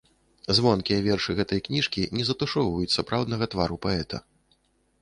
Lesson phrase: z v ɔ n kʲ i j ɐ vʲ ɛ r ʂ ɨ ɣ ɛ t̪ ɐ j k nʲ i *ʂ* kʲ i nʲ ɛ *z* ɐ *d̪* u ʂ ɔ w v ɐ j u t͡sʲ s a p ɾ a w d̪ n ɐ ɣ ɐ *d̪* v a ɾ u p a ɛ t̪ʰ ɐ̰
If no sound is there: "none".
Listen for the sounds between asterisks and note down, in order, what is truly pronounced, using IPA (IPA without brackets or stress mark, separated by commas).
ʂ, z, t̪, t̪